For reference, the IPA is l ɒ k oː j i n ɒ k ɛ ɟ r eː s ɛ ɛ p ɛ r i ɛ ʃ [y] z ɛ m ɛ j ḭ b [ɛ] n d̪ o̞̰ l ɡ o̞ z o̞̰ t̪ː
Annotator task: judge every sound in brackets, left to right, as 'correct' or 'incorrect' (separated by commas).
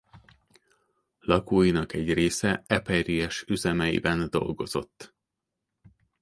correct, correct